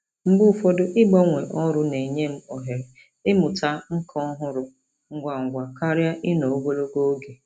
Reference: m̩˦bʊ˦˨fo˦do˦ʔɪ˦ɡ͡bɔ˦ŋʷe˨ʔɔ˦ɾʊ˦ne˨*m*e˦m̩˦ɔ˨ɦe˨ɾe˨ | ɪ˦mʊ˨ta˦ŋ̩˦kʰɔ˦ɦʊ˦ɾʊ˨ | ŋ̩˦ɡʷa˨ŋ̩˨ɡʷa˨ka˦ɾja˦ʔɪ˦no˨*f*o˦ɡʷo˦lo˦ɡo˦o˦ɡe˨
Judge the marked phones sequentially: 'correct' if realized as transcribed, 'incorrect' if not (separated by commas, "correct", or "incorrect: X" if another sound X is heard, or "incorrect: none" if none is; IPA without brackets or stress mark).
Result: incorrect: ɲ, incorrect: none